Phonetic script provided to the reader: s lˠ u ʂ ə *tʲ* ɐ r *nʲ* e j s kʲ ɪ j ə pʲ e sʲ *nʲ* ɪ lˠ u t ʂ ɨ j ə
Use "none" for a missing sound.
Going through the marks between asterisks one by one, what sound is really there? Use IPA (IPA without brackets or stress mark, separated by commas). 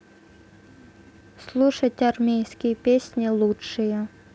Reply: tʲ, mʲ, nʲ